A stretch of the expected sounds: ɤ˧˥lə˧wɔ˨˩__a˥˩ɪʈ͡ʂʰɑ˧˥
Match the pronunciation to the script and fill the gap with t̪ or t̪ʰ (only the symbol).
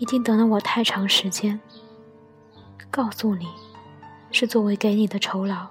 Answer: t̪ʰ